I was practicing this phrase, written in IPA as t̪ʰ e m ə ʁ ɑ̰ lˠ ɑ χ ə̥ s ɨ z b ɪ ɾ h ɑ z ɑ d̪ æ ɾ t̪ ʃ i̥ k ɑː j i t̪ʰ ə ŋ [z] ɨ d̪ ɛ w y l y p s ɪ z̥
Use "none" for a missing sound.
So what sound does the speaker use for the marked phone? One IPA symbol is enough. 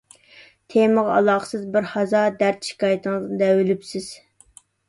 z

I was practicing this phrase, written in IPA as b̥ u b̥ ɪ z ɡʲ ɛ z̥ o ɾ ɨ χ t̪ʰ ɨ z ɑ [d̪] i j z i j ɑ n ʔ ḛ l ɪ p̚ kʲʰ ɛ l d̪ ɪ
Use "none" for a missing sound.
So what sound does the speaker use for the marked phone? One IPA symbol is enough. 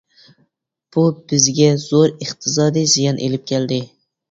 d̪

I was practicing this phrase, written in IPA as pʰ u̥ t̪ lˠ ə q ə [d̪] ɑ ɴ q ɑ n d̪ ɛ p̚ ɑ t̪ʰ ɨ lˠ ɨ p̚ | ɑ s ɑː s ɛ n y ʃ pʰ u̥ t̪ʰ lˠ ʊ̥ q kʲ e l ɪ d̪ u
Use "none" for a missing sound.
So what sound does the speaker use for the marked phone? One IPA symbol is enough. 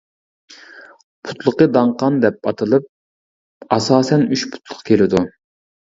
d̪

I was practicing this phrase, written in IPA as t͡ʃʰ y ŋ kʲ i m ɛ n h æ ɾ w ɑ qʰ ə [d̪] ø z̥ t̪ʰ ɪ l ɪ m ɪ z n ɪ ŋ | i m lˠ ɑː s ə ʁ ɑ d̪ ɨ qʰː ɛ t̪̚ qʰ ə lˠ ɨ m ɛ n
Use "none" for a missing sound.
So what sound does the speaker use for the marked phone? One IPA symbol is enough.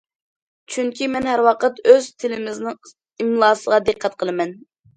t̪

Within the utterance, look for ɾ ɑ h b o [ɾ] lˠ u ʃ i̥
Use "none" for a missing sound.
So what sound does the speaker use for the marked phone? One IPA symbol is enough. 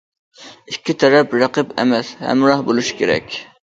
none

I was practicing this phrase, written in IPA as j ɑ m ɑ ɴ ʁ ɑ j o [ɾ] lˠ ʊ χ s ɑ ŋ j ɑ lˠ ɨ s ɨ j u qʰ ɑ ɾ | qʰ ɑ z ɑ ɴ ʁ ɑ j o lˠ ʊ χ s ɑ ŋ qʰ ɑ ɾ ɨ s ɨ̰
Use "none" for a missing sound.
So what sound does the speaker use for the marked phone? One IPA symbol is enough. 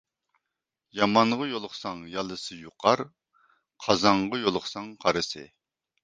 none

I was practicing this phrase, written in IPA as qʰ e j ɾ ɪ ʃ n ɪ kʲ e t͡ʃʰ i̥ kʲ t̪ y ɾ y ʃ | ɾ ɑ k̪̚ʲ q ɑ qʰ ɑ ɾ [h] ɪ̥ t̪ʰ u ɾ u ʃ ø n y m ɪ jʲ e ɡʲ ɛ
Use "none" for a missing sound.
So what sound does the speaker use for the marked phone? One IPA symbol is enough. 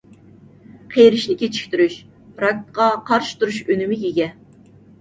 ʃ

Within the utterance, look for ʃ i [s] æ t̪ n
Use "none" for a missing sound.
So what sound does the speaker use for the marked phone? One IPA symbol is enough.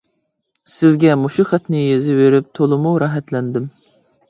χ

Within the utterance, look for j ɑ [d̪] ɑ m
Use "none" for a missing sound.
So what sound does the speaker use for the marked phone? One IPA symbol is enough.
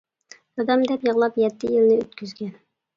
d̪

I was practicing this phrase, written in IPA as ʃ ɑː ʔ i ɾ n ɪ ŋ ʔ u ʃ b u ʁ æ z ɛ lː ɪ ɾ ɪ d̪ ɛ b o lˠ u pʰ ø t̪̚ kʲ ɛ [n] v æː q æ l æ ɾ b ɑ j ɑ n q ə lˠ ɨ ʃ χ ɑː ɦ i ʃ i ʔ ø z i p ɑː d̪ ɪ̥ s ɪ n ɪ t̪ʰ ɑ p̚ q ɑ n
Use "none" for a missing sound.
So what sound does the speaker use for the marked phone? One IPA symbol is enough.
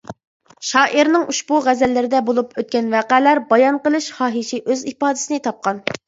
n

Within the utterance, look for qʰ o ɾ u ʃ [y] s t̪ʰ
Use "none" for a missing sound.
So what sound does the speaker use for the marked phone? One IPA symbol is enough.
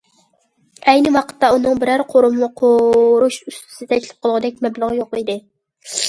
y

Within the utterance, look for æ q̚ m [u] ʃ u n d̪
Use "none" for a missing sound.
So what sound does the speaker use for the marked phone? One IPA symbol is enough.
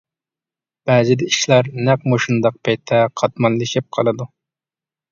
o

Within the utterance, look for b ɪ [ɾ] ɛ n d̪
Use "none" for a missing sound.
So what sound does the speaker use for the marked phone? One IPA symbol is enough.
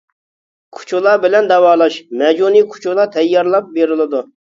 l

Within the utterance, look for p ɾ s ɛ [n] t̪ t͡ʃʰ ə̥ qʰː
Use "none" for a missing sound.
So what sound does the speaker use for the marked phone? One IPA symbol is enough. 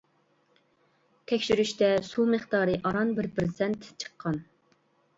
n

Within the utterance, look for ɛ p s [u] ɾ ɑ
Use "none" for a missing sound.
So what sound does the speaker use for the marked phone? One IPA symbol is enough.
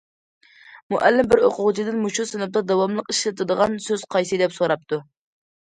o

